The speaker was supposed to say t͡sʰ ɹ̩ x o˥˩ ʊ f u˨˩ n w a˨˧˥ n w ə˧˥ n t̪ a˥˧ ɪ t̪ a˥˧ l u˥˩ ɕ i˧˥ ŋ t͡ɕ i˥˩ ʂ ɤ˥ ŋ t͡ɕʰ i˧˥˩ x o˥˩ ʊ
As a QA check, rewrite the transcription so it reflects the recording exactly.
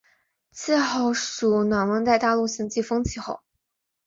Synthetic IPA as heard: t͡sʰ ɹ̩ x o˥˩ ʊ ʂ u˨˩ n w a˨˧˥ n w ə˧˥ n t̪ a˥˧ ɪ t̪ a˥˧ l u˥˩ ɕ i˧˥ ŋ t͡ɕ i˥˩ f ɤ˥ ŋ t͡ɕʰ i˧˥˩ x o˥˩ ʊ